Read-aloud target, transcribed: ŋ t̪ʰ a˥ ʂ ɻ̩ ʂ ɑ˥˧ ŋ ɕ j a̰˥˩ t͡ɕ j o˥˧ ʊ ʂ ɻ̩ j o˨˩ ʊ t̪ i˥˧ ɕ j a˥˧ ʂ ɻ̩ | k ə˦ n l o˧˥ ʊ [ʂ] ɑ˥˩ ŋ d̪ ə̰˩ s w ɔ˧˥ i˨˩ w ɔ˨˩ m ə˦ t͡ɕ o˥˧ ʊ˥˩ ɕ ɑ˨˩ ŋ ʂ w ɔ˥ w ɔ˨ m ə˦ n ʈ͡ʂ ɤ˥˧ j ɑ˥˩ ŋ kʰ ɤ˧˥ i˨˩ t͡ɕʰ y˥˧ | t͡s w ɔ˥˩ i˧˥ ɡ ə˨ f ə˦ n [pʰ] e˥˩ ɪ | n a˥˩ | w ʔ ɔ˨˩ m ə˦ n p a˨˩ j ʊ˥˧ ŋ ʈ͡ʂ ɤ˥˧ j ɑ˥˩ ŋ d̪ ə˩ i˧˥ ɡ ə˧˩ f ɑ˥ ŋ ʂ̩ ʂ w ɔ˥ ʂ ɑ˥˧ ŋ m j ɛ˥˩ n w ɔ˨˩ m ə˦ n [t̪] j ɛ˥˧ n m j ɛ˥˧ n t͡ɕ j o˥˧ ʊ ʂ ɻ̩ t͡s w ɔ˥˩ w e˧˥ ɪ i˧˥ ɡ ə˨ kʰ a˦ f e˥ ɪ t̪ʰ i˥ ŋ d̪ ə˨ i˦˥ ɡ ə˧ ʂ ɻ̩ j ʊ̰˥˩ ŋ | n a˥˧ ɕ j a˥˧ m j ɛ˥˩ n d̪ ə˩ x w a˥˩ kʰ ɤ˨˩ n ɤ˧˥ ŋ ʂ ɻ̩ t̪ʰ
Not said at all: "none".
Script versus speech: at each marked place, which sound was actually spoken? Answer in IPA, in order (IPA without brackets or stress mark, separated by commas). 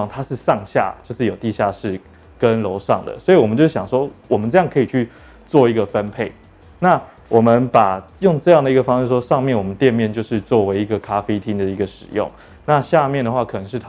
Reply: ʂ, pʰ, t̪